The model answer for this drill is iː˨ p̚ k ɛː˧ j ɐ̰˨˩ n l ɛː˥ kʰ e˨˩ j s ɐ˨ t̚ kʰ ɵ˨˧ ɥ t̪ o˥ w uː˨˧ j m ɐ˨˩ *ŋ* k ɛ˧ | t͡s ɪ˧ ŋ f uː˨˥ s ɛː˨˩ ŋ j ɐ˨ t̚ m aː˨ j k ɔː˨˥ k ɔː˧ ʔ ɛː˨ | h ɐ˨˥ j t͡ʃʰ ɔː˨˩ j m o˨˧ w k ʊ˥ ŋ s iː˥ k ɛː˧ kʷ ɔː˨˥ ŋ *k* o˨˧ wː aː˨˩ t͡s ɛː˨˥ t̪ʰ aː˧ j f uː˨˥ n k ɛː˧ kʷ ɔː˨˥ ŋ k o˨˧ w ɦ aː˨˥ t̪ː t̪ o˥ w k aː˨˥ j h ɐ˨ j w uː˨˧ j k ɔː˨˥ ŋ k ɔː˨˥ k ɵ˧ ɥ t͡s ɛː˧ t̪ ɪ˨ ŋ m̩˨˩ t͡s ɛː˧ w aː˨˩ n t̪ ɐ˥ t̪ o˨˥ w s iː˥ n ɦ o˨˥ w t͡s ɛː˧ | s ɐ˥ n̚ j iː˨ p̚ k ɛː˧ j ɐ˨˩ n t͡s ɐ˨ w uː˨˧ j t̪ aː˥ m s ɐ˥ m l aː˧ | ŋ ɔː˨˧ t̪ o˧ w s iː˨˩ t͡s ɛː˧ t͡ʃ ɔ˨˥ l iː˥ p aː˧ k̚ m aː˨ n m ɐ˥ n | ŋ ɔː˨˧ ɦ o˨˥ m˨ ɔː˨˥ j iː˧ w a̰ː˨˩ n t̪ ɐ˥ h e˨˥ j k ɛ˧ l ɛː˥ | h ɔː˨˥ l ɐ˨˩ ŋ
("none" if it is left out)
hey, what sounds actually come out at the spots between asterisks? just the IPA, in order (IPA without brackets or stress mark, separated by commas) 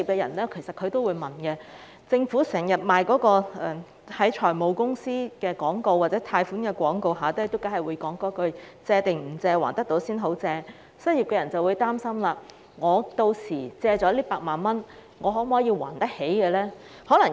n, k